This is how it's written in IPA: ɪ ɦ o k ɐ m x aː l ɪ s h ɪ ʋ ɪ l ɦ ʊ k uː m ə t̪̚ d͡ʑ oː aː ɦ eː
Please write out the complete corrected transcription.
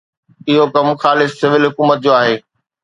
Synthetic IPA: ɪ ɦ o k ɐ m x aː l ɪ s s ɪ ʋ ɪ l ɦ ʊ k uː m ə t̪̚ d͡ʑ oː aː ɦ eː